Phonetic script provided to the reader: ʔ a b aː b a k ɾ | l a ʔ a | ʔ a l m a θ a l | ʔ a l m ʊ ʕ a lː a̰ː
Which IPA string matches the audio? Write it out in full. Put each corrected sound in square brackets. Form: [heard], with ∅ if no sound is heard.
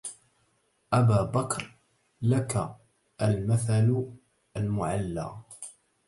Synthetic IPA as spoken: ʔ a b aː b a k ɾ | l a [k] a | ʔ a l m a θ a l | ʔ a l m ʊ ʕ a lː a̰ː